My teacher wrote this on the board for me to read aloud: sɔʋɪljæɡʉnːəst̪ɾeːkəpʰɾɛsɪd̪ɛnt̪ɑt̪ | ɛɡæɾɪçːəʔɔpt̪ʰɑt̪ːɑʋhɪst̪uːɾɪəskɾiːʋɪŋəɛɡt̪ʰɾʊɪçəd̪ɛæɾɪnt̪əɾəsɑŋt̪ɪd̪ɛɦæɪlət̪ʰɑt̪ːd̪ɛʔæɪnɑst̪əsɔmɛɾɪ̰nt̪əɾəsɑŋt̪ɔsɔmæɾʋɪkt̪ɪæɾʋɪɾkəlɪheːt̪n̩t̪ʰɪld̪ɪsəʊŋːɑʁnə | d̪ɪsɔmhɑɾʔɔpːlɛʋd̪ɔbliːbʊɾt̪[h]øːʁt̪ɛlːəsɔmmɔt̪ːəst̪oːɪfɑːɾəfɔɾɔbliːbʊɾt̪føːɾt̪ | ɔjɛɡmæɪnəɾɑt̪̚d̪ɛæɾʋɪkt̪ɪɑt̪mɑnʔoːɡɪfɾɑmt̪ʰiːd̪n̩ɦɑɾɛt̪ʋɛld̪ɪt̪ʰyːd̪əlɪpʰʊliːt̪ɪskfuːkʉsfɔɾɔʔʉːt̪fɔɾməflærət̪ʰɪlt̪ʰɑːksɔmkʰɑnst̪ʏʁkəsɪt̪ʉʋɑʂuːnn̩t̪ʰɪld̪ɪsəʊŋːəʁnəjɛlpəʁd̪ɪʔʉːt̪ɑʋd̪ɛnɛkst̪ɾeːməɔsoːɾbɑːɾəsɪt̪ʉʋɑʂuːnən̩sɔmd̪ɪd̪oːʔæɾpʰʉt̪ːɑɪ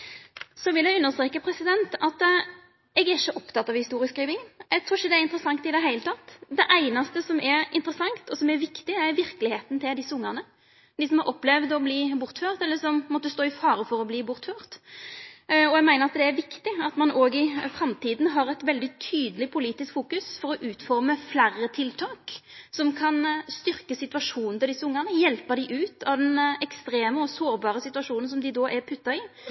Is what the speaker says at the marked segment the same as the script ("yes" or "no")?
no